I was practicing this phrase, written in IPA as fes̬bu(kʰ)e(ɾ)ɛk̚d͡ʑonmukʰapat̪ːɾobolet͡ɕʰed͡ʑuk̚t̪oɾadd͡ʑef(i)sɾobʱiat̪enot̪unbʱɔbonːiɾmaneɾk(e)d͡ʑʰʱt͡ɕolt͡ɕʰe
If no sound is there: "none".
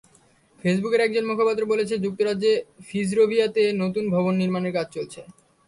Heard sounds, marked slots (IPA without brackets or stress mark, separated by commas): k, ɾ, i, a